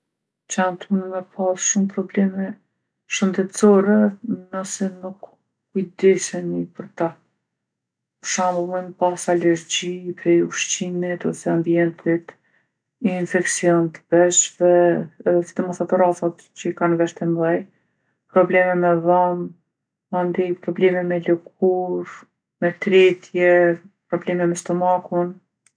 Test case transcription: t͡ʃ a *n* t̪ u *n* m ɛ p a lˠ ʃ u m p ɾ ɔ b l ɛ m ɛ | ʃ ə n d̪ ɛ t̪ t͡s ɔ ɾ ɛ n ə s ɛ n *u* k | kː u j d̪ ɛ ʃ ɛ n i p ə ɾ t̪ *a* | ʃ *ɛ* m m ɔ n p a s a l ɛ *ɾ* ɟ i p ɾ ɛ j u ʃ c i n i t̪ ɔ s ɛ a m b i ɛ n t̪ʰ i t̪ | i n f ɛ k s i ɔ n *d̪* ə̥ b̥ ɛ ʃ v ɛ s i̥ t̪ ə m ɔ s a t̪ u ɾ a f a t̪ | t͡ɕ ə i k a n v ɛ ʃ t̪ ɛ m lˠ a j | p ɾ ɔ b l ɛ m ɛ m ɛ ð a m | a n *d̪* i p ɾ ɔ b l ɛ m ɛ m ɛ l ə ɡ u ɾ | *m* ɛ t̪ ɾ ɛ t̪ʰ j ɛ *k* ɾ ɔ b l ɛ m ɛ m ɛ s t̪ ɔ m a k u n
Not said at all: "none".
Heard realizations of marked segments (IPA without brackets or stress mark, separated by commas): n, n, u, a, a, ɾ, t̪, d̪, m, p